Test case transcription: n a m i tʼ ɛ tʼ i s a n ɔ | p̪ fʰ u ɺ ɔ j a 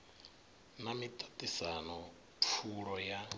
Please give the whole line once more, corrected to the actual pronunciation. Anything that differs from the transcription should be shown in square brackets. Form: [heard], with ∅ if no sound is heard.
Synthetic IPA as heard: n a m i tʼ [a] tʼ i s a n ɔ | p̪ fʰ u ɺ ɔ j a